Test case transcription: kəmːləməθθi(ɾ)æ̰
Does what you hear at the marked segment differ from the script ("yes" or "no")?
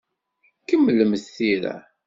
no